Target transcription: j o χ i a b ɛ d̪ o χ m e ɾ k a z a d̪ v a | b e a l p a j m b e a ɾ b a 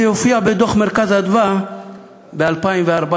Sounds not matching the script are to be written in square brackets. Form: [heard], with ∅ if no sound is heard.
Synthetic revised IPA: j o [f] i a b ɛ d̪ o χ m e ɾ k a z a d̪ v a | b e a l p a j m [v] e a ɾ b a